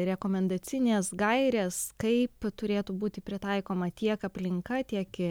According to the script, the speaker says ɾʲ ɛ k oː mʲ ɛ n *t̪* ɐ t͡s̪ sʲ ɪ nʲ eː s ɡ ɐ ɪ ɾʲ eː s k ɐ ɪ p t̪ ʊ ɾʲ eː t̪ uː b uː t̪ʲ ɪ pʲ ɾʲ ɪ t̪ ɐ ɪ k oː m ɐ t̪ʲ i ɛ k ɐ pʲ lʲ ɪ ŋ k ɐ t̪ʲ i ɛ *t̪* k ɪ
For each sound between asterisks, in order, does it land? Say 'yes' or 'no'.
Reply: no, no

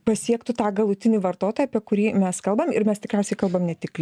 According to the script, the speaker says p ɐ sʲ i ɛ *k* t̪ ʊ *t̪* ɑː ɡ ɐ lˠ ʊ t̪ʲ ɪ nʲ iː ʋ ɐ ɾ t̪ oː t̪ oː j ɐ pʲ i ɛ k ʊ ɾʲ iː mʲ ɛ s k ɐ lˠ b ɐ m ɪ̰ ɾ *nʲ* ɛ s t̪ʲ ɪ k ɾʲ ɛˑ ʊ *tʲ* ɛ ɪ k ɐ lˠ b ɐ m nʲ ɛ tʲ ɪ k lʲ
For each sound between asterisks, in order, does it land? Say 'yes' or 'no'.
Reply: yes, yes, no, no

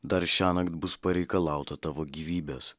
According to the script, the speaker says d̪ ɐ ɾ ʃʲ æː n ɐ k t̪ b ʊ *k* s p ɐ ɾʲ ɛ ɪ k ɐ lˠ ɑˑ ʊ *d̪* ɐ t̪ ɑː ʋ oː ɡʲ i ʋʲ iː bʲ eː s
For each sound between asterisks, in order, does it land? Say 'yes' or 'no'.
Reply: no, no

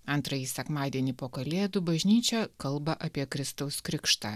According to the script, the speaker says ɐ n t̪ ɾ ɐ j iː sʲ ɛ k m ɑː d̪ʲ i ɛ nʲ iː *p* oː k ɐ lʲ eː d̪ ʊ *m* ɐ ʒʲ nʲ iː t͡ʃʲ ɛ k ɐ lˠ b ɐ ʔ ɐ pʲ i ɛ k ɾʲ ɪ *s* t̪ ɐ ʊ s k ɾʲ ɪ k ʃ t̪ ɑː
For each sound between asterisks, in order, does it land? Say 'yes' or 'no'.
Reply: yes, no, yes

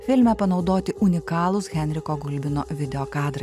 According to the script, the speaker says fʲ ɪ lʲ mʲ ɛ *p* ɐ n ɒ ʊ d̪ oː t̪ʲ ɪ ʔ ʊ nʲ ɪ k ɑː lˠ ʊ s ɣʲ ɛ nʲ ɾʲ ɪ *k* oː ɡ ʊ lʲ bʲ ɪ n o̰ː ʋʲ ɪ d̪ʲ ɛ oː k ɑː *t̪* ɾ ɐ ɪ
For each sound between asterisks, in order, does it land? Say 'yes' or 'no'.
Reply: yes, yes, no

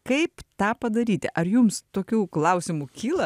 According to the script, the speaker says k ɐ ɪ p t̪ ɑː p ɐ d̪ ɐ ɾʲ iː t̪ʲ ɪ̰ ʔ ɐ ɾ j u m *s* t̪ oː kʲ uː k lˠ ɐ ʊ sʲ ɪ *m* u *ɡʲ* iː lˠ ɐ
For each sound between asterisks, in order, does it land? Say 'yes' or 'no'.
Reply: yes, yes, no

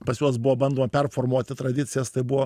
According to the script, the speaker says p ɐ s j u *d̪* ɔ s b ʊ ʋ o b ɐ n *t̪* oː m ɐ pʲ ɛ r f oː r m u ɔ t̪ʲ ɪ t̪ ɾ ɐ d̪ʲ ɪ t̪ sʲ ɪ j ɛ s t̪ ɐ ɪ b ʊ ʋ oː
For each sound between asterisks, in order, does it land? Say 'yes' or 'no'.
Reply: no, no

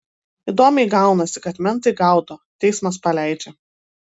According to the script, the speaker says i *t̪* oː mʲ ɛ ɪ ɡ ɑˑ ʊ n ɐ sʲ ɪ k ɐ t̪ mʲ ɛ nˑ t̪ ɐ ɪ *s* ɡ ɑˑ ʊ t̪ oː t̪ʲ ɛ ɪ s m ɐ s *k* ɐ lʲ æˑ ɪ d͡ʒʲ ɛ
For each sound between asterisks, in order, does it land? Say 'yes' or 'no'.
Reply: no, no, no

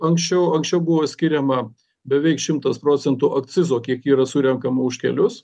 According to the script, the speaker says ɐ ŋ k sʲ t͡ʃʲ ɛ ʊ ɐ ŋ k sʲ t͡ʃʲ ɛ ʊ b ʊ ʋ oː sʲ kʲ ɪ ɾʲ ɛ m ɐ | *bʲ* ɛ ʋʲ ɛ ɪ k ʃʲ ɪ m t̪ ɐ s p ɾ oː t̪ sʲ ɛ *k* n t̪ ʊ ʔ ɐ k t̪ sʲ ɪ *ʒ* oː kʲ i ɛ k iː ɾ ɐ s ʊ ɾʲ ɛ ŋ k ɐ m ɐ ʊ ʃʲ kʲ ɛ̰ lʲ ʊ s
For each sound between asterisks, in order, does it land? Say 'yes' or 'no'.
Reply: yes, no, no

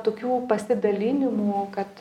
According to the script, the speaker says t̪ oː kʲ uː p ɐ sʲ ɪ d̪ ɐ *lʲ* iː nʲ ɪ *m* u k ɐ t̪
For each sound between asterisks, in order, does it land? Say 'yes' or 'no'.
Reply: yes, yes

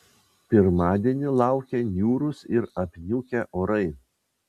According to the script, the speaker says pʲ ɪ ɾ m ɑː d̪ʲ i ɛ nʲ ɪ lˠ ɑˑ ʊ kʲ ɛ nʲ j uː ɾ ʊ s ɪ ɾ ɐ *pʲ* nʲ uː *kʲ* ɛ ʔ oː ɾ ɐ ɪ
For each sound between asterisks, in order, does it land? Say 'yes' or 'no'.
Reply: yes, yes

